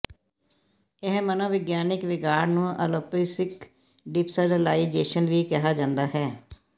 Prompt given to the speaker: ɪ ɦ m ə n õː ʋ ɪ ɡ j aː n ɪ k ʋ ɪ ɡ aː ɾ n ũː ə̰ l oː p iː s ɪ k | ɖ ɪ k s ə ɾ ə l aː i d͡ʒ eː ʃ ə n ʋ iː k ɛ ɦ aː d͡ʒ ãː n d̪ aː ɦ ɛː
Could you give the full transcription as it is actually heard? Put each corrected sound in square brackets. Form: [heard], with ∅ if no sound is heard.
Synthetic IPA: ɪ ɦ m ə n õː ʋ ɪ ɡ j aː n ɪ k ʋ ɪ ɡ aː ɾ n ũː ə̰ l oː p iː s ɪ k | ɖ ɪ [p] s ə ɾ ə l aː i d͡ʒ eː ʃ ə n ʋ iː k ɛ ɦ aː d͡ʒ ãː n d̪ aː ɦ ɛː